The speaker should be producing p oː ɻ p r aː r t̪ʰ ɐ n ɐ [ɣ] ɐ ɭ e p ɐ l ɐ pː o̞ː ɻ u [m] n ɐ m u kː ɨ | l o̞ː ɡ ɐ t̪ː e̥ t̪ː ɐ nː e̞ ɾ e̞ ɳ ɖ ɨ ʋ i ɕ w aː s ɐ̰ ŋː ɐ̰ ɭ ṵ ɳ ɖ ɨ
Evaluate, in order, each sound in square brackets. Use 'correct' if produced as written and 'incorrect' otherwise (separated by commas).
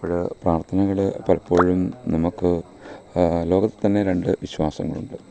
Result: correct, correct